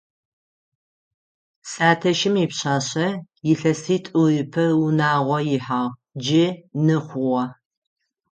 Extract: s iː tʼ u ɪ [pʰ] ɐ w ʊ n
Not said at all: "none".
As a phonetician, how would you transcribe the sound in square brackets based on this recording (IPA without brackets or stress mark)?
pʰ